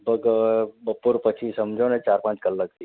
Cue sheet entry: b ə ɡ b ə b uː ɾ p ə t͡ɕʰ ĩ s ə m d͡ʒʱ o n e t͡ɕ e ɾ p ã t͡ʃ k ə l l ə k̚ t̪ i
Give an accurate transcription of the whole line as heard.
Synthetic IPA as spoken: b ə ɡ b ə p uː ɾ p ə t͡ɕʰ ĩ s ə m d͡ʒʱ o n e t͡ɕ a ɾ p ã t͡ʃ k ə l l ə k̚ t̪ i